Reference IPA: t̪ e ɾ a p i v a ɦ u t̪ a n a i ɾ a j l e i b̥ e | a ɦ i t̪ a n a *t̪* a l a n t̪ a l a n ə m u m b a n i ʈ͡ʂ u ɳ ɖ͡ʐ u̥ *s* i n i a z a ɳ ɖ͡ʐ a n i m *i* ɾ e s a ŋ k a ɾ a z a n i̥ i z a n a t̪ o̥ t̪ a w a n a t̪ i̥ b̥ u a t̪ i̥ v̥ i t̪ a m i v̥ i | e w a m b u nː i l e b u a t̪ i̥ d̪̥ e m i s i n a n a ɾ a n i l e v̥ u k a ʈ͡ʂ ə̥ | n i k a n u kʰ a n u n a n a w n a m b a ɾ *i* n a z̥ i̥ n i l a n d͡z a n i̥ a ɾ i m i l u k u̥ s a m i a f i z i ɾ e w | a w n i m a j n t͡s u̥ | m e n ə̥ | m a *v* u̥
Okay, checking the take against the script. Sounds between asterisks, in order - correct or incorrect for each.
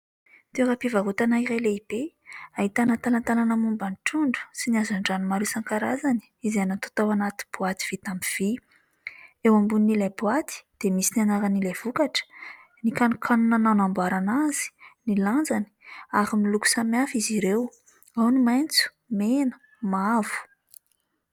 correct, correct, incorrect: a, incorrect: a, correct

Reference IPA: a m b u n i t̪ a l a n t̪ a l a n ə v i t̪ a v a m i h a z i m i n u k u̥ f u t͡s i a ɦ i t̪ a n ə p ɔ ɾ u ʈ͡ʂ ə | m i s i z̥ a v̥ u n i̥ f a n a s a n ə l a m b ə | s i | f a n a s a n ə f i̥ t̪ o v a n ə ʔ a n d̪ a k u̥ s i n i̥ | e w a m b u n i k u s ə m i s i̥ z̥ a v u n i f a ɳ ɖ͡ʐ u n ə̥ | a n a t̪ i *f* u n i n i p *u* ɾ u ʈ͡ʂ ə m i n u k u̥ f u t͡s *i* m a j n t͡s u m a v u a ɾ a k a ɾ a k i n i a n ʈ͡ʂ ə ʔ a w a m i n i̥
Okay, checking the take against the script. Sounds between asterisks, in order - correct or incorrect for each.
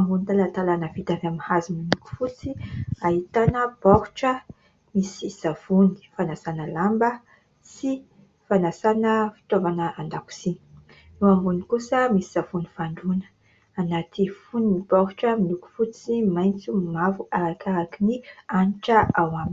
correct, incorrect: ɔ, correct

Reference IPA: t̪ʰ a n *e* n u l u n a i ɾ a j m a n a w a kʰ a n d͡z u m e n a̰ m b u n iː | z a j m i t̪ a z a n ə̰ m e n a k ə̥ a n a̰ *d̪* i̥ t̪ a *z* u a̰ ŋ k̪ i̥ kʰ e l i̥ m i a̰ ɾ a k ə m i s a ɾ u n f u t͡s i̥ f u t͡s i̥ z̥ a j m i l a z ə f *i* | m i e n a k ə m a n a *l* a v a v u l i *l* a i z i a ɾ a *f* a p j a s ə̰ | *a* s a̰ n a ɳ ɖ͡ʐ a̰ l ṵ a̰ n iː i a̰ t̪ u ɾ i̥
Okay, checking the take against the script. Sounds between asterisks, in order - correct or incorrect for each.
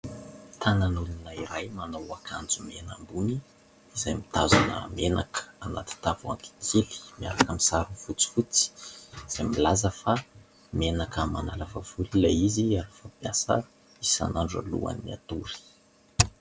incorrect: a, incorrect: t̪, incorrect: v, incorrect: a, correct, correct, correct, incorrect: i

